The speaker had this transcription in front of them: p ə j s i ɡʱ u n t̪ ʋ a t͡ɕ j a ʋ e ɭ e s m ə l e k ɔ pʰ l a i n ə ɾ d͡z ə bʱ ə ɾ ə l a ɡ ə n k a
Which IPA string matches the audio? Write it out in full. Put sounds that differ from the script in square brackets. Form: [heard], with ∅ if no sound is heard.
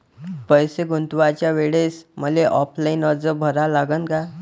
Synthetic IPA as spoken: p ə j s [e] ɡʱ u n t̪ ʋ a t͡ɕ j a ʋ e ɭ e s m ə l e [ʔ] ɔ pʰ l a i n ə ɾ d͡z ə bʱ ə ɾ [a] l a ɡ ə n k a